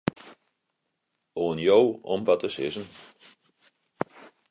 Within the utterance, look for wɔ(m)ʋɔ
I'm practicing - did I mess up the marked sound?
no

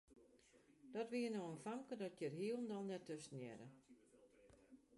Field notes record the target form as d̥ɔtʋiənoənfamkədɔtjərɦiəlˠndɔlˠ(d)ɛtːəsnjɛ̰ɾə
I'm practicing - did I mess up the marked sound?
yes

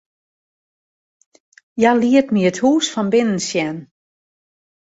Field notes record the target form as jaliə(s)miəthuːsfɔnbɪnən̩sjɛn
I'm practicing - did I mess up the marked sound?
yes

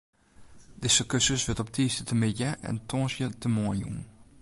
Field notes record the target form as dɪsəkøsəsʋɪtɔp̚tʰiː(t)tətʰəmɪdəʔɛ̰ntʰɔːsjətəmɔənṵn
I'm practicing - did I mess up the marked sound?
yes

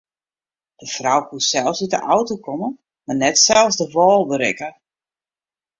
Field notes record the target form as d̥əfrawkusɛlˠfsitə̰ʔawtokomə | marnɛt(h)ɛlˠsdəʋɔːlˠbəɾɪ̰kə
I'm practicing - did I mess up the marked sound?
yes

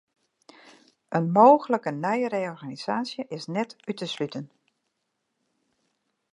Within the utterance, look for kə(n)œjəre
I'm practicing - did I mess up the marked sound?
no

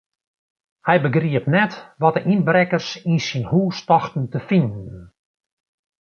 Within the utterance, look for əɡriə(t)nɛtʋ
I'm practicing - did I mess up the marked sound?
yes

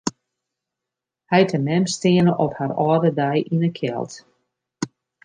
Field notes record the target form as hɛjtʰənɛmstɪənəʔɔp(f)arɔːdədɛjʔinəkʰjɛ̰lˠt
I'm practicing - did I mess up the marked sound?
yes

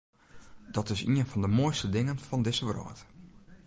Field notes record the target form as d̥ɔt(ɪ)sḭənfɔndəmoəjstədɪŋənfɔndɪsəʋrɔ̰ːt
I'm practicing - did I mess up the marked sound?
no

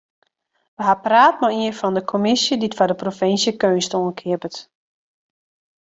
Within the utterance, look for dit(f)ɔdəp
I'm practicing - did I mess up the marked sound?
no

